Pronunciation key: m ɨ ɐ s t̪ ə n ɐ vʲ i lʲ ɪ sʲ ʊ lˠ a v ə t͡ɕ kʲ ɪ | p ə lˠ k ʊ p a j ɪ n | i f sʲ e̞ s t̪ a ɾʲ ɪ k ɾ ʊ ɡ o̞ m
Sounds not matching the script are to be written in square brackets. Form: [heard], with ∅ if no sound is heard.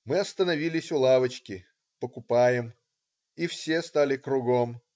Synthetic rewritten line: m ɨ ɐ s t̪ ə n ɐ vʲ i lʲ ɪ sʲ ʊ lˠ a v ə t͡ɕ kʲ ɪ | p ə [∅] k ʊ p a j ɪ [m] | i f sʲ e̞ s t̪ a [lʲ] ɪ k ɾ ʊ ɡ o̞ m